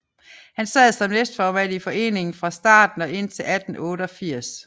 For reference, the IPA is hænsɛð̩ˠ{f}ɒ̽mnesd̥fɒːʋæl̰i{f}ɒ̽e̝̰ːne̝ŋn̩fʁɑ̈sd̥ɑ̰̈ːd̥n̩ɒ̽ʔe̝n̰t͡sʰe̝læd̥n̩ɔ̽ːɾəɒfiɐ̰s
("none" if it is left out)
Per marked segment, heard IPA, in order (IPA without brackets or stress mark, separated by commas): s, f